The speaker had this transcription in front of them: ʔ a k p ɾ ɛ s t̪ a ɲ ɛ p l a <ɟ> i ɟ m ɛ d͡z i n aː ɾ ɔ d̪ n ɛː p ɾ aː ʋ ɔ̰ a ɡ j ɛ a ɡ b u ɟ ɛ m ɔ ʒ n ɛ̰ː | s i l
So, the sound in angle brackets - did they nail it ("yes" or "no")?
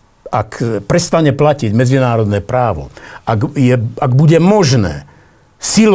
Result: no